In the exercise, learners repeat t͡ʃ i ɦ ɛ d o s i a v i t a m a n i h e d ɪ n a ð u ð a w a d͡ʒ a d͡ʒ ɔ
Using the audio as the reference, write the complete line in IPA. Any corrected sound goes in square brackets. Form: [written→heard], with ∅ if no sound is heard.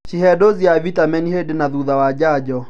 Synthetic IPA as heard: t͡ʃ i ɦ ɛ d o [s→z] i a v i t a m [a→ɛ] n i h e d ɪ n a ð u ð a w a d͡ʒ a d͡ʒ ɔ